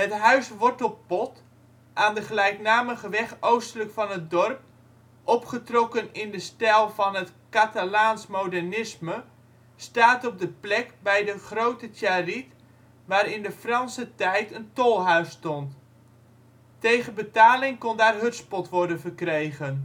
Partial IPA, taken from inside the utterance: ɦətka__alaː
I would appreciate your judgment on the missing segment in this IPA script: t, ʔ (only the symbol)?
t